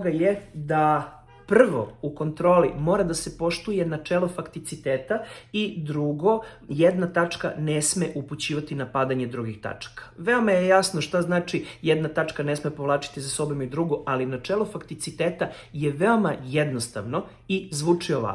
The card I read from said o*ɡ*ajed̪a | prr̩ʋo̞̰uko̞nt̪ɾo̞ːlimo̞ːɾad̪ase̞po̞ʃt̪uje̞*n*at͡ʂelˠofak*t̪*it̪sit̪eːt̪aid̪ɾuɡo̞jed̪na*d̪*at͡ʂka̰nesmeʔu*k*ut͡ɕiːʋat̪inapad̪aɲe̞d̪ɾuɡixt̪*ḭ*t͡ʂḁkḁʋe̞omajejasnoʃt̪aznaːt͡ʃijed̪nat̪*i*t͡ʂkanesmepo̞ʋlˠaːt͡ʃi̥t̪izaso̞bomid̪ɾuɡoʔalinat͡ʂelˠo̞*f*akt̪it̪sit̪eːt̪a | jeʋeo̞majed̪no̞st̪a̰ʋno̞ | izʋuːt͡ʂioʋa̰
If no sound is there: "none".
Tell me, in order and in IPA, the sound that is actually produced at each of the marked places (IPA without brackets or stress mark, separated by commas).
ɡ, n, t̪, t̪, p, a̰, a, f